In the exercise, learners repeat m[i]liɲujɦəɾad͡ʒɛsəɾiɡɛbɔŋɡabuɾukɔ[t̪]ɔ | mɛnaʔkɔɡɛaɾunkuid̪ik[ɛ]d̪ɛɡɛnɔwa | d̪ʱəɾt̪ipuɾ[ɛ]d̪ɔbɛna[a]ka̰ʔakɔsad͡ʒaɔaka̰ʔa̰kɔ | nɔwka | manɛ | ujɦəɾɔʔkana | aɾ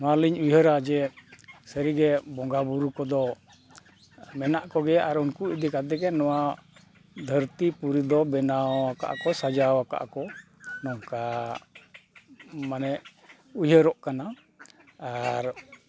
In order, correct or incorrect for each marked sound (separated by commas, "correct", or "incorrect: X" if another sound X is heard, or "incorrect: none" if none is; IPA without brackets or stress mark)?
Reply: incorrect: a, incorrect: d̪, incorrect: a, incorrect: i, correct